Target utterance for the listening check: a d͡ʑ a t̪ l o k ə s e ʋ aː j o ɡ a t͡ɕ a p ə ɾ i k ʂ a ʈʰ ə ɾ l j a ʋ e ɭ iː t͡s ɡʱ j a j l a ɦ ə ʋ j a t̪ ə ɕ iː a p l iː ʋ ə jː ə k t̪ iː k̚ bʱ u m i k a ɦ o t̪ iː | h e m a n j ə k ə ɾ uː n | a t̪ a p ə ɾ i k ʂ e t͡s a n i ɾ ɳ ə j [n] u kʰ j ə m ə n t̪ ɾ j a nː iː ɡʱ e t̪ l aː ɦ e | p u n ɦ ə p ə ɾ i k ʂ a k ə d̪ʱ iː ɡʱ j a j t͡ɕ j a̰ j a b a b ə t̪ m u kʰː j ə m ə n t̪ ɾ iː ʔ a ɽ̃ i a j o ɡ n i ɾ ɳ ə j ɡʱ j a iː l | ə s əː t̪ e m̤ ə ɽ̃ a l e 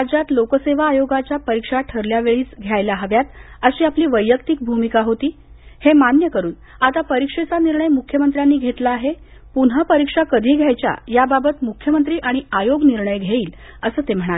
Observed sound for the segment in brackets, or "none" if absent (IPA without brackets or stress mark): m